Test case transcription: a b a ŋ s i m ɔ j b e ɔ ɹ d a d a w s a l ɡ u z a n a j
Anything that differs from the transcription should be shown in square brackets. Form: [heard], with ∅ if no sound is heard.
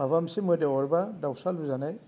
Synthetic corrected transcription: a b a [m] s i m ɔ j [d] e ɔ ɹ [b] a d a w s a l [b] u z a n a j

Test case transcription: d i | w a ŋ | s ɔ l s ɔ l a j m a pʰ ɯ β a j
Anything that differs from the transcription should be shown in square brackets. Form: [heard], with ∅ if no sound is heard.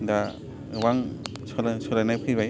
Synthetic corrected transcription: d [a] | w a ŋ | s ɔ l s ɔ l a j [n] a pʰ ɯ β a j

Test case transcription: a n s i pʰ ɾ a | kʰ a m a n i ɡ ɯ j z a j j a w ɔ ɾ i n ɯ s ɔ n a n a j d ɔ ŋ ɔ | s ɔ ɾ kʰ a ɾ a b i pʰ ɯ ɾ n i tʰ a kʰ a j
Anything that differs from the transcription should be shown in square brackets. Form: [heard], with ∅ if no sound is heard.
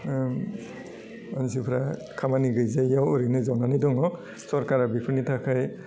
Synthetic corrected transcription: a n s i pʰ ɾ a | kʰ a m a n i ɡ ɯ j z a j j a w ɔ ɾ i n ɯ [z] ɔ n a n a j d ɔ ŋ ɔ | s ɔ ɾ [k] a ɾ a b i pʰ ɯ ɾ n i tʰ a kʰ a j

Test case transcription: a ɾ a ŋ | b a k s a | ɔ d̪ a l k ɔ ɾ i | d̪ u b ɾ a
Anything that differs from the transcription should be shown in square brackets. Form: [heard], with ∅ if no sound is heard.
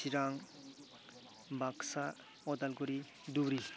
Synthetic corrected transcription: [i] ɾ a ŋ | b a k s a | ɔ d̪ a l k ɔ ɾ i | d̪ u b ɾ [i]

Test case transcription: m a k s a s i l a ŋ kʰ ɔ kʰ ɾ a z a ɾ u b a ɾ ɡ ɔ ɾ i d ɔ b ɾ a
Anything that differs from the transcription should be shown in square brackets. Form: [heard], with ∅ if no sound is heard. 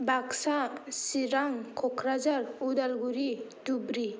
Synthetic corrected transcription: [b] a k s a s i [ɾ] a ŋ kʰ ɔ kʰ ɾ a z a ɾ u [d] a [l] ɡ [u] ɾ i d [u] b ɾ [i]

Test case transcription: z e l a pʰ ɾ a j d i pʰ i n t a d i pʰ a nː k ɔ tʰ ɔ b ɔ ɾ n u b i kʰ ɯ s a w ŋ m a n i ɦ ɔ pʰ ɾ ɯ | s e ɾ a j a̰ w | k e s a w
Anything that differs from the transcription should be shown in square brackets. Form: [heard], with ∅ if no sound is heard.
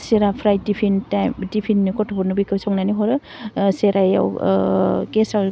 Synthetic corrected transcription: [s] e [ɾ] a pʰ ɾ a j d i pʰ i n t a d i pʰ [i] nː k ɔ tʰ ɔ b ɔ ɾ n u b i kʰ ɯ s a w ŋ [n] a n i ɦ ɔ [∅] ɾ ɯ | s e ɾ a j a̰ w | k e s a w

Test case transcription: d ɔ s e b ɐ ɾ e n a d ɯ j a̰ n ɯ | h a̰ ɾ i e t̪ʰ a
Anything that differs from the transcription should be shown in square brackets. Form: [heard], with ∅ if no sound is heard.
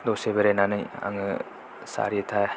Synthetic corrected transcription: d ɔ s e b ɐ ɾ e n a [n] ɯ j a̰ [ŋ] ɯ | [s] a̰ ɾ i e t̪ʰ a

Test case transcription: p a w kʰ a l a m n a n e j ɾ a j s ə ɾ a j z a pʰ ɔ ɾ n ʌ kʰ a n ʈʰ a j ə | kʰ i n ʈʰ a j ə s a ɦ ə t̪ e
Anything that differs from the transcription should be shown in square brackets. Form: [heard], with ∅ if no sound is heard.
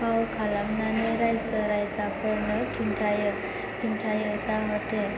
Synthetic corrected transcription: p a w kʰ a l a m n a n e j ɾ a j s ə ɾ a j [s] a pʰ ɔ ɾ n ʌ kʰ [i] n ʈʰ a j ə | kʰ i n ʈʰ a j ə s a ɦ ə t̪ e

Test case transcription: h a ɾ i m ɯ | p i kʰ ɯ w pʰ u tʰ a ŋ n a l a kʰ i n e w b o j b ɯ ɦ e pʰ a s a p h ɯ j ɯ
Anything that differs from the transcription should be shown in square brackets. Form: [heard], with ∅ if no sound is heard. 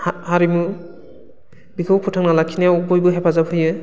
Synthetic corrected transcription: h a ɾ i m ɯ | [b] i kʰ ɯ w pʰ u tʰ a ŋ n a l a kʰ i n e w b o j b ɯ ɦ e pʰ a [z] a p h ɯ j ɯ

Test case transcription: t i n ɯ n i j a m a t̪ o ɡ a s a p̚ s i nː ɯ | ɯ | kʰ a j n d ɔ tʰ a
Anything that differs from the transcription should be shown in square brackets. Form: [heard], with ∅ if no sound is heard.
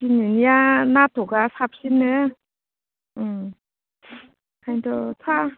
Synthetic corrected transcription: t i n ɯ n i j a [n] a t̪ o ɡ a s a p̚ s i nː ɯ | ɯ | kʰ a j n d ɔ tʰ a

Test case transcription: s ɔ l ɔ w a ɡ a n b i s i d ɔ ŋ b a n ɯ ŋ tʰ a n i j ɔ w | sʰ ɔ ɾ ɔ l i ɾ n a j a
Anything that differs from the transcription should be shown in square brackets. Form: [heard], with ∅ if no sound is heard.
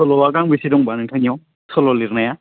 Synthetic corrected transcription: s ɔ l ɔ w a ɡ a [ŋ] b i s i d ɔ ŋ b a n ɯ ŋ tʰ a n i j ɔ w | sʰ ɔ [l] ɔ l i ɾ n a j a

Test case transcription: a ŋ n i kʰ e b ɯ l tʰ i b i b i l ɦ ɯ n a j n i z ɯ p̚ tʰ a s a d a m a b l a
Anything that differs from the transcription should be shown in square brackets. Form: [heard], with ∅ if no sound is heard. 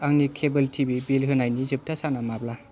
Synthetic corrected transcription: a ŋ n i kʰ e b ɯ l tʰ i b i b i l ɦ ɯ n a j n i z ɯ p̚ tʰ a s a [n] a m a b l a

